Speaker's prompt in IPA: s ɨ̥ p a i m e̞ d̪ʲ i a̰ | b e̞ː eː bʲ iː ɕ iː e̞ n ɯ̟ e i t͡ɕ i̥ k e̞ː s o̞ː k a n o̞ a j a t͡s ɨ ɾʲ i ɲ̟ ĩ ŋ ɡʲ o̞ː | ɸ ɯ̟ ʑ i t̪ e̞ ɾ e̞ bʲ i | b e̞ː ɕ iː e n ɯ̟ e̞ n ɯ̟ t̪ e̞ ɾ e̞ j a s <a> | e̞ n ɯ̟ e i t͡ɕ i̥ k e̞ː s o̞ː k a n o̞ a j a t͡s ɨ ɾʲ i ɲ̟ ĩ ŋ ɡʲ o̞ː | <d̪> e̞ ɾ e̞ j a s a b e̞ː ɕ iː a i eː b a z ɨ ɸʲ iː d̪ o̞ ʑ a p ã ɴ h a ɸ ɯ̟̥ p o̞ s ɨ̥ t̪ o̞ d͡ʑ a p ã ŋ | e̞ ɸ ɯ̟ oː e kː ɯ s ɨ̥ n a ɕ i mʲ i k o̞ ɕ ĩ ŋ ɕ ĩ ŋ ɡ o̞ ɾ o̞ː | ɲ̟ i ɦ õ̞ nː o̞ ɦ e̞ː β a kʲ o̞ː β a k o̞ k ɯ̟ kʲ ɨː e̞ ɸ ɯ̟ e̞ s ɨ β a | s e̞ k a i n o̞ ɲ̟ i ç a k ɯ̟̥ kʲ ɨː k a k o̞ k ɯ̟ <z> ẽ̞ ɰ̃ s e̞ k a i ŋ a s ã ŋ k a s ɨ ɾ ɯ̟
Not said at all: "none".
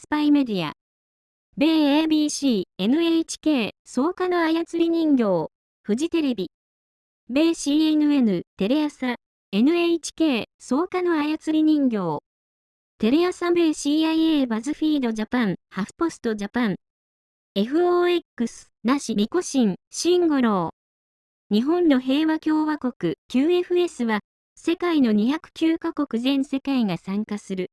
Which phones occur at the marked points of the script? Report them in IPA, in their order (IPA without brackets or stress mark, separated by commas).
a, t̪, z